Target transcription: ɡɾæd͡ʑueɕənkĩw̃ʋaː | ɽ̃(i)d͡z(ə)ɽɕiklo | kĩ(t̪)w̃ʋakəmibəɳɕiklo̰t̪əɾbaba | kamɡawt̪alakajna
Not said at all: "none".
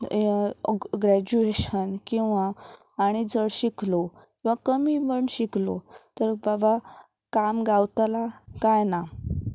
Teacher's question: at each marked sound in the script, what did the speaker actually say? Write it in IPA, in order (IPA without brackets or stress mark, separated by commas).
i, ə, none